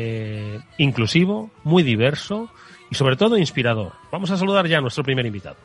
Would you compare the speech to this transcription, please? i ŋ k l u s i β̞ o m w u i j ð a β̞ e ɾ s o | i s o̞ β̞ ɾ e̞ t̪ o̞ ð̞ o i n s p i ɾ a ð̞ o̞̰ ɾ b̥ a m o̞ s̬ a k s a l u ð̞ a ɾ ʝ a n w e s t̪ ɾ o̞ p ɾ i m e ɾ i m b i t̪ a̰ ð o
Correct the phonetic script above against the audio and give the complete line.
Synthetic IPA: i ŋ k l u s i β̞ o m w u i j ð i β̞ e ɾ s o | i s o̞ β̞ ɾ e̞ t̪ o̞ ð̞ o i n s p i ɾ a ð̞ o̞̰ ɾ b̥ a m o̞ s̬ a s a l u ð̞ a ɾ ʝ a n w e s t̪ ɾ o̞ p ɾ i m e ɾ i m b i t̪ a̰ ð o